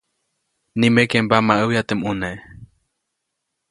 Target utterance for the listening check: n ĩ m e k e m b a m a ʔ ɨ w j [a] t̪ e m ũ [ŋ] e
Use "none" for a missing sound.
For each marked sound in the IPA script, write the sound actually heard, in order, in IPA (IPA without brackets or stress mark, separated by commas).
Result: a, n